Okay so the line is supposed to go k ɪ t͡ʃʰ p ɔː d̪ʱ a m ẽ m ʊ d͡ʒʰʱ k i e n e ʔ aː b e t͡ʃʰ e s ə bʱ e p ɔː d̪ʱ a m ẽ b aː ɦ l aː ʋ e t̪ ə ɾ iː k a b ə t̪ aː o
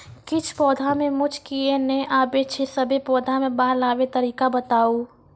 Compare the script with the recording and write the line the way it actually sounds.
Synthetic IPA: k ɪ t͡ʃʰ p ɔː d̪ʱ a m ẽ m ʊ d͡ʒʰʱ k i e n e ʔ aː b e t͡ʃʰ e s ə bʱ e p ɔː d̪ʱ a m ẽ b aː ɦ l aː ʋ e t̪ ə ɾ iː k a b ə t̪ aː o

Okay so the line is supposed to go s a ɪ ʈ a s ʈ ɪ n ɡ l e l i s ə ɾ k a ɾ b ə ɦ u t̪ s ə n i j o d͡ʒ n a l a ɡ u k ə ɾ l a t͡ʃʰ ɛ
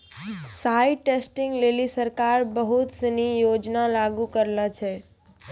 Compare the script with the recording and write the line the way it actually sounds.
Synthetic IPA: s a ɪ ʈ e s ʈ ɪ ŋ ɡ l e l i s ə ɾ k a ɾ b ə ɦ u t̪ s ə n i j o d͡ʒ n a l a ɡ u k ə ɾ l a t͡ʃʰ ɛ

